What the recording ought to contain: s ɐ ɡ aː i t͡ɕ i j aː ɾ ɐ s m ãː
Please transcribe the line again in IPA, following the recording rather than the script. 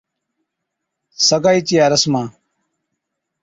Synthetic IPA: s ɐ ɡ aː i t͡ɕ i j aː ɾ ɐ s m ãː